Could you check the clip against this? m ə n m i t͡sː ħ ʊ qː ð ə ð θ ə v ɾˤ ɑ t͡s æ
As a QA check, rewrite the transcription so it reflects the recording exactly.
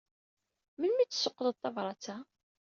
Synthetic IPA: m ə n m i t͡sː s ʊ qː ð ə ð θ ɑ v ɾˤ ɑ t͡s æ

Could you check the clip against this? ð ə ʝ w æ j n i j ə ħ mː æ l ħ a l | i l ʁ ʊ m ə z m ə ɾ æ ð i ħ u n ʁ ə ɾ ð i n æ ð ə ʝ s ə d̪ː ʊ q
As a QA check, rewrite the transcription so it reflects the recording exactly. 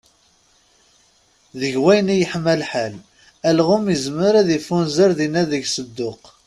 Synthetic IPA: ð ə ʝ w æ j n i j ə ħ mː æ l ħ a l | æ l ʁ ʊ m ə z m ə ɾ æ ð i f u n z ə ɾ ð i n æ ð ə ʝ s ə d̪ː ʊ q

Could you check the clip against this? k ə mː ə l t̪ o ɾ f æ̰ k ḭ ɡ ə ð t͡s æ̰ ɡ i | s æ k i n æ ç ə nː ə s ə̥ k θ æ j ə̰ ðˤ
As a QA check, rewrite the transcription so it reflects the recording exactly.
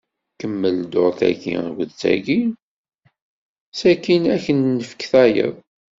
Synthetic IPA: k ə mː ə l d̪ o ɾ θ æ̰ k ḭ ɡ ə ð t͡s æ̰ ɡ i | s æ k i n æ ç ə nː ə f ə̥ k θ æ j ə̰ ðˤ

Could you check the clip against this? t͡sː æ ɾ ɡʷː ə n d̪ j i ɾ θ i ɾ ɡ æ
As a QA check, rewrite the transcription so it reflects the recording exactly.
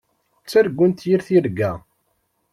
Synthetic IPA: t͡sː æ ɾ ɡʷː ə n t̪ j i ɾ θ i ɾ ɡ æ

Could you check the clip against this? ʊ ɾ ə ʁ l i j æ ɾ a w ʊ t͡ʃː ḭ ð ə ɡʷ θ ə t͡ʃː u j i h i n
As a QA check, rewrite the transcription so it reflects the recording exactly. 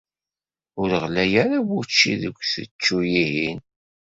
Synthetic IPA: ʊ ɾ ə ʁ l æ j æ ɾ a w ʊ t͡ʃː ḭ ð ə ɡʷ θ ə t͡ʃː u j i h i n

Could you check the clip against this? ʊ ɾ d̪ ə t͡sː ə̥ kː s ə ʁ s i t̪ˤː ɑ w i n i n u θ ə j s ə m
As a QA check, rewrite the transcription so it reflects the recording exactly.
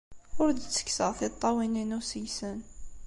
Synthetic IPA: ʊ ɾ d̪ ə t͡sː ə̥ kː s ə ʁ θ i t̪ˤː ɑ w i n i n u s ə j s ə n

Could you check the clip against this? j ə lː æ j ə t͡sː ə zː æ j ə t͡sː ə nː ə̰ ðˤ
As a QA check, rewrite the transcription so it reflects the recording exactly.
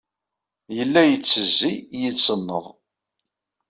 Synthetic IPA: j ə lː æ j ə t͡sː ə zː i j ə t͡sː ə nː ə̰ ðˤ

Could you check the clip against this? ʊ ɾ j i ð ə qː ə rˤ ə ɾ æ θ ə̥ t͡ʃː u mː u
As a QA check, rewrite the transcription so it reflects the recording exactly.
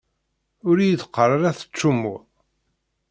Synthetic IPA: ʊ ɾ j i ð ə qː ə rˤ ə ɾ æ θ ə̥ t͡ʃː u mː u

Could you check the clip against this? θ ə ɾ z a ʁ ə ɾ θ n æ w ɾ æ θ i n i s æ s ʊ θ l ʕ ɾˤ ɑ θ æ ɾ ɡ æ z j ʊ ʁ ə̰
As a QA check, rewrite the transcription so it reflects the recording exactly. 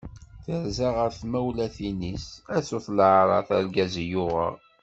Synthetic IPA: θ ə ɾ z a ʁ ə ɾ θ m æ w l æ θ i n i s æ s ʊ θ l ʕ ɾˤ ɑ θ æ ɾ ɡ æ z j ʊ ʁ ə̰

